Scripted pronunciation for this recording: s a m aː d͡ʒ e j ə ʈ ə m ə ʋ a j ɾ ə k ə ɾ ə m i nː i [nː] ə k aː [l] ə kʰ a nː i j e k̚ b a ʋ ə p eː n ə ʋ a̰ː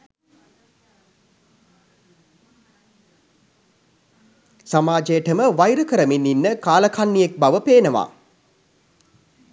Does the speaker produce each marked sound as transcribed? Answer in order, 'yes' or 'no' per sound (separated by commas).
yes, yes